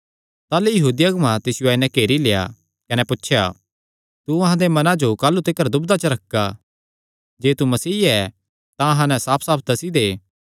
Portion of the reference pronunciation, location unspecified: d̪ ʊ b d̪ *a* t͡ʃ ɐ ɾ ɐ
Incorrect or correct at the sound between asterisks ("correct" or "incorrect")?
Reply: correct